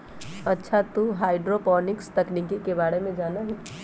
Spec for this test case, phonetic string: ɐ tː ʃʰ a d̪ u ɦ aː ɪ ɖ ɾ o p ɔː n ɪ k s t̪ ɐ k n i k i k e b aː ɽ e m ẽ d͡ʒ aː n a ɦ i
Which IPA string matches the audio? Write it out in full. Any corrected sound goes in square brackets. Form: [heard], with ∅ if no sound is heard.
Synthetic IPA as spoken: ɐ tː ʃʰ a [t̪] u ɦ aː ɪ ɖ ɾ o p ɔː n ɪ k s t̪ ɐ k n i k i k e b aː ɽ e m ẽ d͡ʒ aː n a ɦ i